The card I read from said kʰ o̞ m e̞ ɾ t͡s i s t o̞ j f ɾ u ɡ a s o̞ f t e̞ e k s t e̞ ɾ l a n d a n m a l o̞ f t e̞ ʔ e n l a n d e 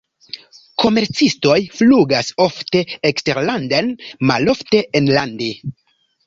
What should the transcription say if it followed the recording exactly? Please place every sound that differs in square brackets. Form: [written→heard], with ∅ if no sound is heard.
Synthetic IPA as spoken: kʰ o̞ m e̞ ɾ t͡s i s t o̞ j f [ɾ→l] u ɡ a s o̞ f t e̞ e k s t e̞ ɾ l a n d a n m a l o̞ f t e̞ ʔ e n l a n d e